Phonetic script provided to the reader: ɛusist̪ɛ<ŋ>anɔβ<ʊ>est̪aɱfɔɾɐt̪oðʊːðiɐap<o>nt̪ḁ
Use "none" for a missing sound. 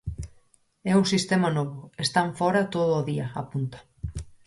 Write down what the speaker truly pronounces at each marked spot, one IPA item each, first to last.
m, ʊ, u

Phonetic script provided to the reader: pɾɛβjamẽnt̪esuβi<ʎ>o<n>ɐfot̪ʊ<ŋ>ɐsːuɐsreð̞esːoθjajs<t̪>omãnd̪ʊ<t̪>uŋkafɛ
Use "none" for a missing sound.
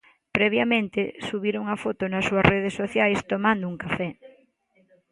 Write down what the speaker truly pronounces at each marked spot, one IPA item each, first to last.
ɾ, ŋ, n, t̪, none

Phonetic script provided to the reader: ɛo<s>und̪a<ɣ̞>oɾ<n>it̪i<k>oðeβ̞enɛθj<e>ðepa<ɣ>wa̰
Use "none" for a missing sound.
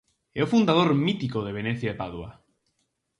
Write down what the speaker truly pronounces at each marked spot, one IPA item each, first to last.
f, ð̞, m, k, a, ð

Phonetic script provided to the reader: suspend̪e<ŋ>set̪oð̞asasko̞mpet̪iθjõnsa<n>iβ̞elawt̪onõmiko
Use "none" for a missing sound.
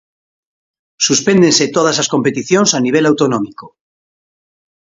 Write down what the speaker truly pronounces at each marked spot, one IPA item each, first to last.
n, n

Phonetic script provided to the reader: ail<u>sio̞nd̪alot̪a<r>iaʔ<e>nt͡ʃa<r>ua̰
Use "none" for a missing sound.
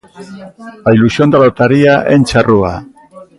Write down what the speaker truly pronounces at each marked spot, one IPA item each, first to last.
u, ɾ, e, r

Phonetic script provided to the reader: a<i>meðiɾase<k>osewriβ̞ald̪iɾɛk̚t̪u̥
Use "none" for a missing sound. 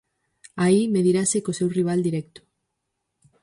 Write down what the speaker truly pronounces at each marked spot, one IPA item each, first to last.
i, k

